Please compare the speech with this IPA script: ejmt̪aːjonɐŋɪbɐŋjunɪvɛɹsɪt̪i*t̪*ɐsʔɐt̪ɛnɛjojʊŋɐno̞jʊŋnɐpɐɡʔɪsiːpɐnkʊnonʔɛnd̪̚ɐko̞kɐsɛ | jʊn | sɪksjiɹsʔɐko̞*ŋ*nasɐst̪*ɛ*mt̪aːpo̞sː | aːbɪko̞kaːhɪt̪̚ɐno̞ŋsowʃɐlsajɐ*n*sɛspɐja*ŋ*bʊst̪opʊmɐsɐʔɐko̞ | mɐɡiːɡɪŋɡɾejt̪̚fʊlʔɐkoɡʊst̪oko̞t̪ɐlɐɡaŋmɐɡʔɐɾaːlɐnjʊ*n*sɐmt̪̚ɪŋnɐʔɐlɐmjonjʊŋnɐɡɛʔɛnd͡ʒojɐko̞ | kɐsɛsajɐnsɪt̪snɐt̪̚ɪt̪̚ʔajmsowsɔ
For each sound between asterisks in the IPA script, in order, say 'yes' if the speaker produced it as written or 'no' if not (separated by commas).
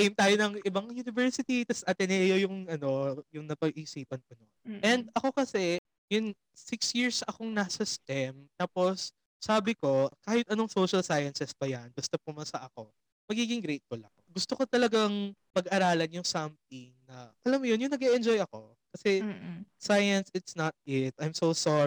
yes, yes, yes, yes, no, no